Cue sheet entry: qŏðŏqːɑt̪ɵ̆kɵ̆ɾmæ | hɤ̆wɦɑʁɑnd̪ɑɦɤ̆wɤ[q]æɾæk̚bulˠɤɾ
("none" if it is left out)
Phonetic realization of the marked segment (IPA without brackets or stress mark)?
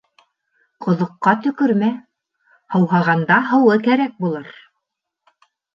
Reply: k